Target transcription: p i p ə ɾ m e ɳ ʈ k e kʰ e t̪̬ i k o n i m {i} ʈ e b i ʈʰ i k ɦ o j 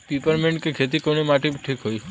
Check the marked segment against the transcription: incorrect: a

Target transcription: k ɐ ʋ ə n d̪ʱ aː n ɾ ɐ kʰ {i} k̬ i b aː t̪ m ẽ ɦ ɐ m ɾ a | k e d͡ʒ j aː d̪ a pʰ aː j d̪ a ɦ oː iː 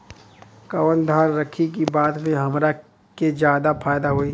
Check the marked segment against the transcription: correct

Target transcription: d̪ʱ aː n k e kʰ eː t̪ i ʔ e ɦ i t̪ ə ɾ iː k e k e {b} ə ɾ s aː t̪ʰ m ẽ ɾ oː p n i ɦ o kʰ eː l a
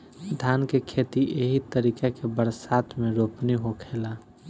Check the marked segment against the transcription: correct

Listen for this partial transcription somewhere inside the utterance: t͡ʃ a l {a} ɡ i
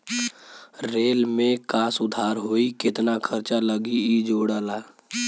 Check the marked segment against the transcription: incorrect: ə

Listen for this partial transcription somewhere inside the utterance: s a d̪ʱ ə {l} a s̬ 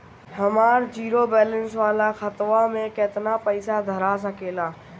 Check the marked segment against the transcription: incorrect: ɾ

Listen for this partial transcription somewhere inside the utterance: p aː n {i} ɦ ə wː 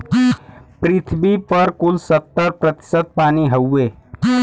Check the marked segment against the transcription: correct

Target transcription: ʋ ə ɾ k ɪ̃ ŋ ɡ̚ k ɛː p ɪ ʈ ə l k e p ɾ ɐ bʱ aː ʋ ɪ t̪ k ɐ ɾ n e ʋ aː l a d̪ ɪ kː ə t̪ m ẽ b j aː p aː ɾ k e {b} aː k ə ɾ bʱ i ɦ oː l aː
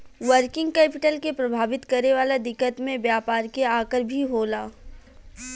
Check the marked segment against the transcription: incorrect: none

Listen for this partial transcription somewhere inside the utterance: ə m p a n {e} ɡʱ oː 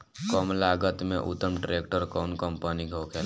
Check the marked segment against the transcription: incorrect: i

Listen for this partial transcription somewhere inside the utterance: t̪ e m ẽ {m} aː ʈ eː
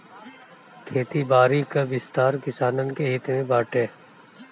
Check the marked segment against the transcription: incorrect: b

